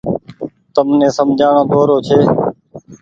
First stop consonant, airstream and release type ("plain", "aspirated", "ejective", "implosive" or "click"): plain